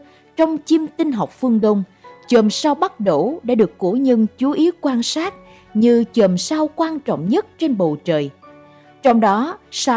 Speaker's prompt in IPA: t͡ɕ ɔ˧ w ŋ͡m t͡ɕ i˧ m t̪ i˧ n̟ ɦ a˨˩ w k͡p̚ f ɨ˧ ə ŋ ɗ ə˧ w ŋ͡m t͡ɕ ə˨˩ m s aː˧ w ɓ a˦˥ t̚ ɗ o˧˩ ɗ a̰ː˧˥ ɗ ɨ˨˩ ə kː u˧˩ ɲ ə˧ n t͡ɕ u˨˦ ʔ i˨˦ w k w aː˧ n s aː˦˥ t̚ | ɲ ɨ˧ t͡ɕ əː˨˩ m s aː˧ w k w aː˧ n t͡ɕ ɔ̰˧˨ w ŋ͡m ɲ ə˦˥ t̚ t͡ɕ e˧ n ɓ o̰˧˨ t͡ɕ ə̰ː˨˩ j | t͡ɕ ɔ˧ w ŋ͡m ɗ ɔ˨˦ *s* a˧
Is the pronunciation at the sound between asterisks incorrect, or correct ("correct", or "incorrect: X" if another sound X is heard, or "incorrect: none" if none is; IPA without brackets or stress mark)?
correct